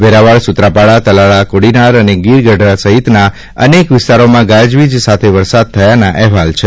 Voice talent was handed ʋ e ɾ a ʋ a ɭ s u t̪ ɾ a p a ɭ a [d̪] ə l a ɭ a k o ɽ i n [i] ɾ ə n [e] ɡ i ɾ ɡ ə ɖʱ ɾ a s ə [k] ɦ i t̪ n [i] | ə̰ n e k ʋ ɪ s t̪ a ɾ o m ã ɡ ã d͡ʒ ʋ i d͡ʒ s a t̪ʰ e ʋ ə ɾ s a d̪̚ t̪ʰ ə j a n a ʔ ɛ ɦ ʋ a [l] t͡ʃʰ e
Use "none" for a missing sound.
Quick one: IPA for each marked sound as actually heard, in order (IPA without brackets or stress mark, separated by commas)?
t̪, a, e, none, a, l